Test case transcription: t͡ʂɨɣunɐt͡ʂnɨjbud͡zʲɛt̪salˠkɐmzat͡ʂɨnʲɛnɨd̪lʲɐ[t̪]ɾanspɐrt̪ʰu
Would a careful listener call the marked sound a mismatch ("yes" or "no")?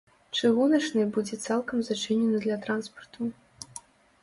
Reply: no